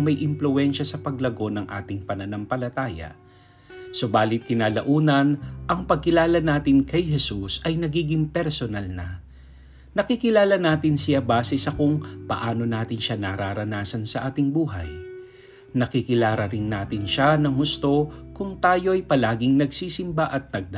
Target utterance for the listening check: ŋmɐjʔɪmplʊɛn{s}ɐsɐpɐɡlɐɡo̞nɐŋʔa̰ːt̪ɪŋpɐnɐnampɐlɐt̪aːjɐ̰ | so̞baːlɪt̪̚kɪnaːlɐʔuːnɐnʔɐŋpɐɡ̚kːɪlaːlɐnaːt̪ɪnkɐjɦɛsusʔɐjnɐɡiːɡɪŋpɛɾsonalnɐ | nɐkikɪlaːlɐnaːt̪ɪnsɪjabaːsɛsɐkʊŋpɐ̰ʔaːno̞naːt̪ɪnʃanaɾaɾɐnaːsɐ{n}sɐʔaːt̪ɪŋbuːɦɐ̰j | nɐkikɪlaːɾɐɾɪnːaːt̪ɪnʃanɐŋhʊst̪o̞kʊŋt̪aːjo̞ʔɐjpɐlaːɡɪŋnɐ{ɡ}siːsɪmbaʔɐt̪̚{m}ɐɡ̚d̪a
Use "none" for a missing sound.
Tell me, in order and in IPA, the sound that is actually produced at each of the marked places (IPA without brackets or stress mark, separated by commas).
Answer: ʃ, n, ɡ, n